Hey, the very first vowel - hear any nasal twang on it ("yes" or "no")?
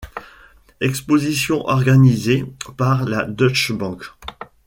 no